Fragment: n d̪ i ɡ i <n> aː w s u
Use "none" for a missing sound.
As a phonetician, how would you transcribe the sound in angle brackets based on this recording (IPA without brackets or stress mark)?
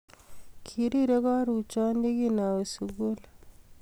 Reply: n